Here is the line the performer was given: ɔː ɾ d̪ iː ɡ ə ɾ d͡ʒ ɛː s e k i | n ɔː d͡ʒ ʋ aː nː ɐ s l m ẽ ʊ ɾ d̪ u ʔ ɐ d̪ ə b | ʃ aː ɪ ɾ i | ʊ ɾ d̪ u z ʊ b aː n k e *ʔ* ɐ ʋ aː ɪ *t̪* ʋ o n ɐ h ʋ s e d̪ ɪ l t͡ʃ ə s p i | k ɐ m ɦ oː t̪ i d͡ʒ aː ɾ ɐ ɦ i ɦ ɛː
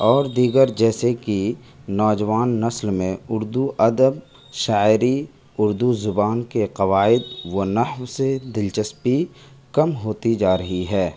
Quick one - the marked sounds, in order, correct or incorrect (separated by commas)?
incorrect, incorrect